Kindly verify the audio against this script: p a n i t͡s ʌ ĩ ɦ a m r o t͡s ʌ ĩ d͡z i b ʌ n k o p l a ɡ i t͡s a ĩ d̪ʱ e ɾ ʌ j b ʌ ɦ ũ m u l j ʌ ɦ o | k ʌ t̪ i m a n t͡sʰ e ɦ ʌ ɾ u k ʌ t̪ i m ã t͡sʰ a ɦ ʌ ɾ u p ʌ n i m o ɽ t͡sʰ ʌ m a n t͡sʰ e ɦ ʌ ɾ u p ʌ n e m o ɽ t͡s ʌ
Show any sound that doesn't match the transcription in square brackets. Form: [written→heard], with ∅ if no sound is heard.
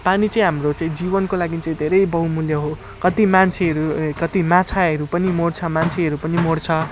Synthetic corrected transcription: p a n i t͡s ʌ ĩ ɦ a m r o t͡s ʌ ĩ d͡z i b ʌ n k o [p→∅] l a ɡ i t͡s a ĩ d̪ʱ e ɾ ʌ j b ʌ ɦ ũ m u l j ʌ ɦ o | k ʌ t̪ i m a n t͡sʰ e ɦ ʌ ɾ u k ʌ t̪ i m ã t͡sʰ a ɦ ʌ ɾ u p ʌ n i m o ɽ t͡sʰ ʌ m a n t͡sʰ e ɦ ʌ ɾ u p ʌ n [e→i] m o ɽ [t͡s→t͡sʰ] ʌ